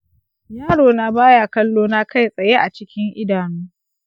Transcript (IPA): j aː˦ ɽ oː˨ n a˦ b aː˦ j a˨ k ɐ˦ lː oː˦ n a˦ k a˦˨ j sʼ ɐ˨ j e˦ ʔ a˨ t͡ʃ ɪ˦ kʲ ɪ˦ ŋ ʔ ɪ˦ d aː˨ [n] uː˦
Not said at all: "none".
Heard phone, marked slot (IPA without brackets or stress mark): n